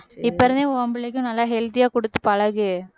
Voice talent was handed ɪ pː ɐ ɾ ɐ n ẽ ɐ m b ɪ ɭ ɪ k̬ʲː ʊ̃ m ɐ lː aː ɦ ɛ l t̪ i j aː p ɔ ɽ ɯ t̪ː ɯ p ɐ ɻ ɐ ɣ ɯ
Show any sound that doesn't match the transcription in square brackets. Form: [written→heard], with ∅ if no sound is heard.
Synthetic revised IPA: ɪ pː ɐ ɾ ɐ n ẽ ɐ m b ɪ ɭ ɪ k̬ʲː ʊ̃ [m→n] ɐ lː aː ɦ ɛ l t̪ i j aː [p→k] ɔ ɽ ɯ t̪ː ɯ p ɐ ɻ ɐ ɣ ɯ